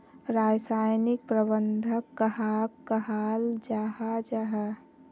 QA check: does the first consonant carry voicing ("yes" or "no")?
yes